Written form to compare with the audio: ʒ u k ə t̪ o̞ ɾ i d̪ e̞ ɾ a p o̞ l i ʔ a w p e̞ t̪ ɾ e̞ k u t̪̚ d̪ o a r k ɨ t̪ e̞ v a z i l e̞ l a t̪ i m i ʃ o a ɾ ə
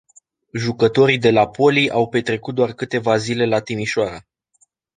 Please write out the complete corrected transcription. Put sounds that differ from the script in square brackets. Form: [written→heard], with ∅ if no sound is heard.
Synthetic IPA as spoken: ʒ u k ə t̪ o̞ ɾ i d̪ e̞ [ɾ→l] a p o̞ l i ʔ a w p e̞ t̪ ɾ e̞ k u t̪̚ d̪ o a r k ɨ t̪ e̞ v a z i l e̞ l a t̪ i m i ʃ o a ɾ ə